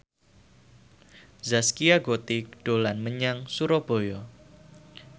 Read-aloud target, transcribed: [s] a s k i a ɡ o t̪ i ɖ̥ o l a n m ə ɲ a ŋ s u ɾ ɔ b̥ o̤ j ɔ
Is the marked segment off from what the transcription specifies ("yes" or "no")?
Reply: yes